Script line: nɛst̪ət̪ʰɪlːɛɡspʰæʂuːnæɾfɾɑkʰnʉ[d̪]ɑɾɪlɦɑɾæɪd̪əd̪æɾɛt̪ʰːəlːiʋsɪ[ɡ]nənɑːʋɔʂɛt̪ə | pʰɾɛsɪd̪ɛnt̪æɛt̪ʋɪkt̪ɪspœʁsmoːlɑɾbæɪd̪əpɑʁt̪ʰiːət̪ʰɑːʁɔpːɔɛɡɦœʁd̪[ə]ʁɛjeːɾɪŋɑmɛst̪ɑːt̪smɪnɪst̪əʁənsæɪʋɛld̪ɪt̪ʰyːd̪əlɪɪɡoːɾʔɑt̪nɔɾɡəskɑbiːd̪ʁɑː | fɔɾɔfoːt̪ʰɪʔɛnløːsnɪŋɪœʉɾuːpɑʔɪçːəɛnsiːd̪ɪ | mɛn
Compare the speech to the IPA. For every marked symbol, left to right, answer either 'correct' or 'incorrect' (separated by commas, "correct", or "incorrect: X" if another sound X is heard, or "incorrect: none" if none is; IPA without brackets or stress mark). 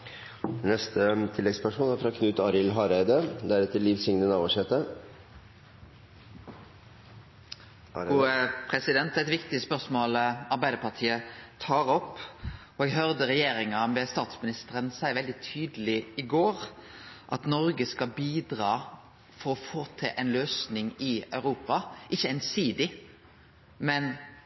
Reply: incorrect: t̪, incorrect: ŋ, correct